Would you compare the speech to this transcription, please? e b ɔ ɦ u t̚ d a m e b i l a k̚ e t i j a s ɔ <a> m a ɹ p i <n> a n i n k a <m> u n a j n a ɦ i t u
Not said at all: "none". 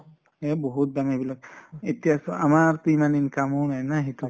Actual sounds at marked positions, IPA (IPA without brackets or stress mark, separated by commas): a, m, m